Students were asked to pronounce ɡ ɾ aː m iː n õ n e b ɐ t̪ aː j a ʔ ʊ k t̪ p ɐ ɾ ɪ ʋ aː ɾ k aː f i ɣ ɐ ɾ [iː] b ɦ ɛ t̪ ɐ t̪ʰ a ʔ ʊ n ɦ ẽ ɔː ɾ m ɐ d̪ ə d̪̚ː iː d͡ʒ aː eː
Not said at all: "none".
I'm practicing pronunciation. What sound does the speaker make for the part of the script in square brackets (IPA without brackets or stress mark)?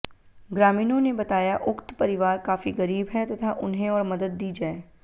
iː